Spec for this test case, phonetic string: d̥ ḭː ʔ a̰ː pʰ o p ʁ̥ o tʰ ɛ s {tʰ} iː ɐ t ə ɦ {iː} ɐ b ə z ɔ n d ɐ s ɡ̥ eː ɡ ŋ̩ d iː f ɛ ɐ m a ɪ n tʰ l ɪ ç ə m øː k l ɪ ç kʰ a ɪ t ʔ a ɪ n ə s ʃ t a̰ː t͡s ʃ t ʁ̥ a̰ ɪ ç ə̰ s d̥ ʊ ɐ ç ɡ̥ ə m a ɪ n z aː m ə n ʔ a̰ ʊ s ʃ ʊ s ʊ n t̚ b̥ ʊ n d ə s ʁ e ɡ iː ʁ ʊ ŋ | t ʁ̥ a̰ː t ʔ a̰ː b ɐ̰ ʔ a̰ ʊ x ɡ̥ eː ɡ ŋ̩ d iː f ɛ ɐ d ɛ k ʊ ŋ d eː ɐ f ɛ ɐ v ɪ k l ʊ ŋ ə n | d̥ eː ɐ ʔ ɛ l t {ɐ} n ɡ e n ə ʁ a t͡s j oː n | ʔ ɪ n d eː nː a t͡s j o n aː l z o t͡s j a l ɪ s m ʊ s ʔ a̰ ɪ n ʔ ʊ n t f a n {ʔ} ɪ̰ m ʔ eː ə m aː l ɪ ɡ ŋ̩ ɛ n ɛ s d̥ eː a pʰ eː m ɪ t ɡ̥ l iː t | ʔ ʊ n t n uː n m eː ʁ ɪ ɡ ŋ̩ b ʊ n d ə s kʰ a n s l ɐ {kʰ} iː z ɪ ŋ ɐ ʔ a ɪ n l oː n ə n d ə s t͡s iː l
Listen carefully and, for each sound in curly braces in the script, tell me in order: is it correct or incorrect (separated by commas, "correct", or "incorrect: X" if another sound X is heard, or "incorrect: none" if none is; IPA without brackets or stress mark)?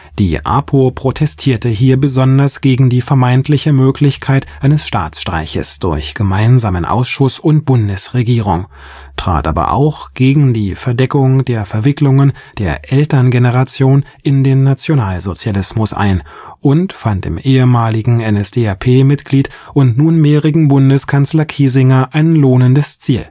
correct, correct, correct, incorrect: t, correct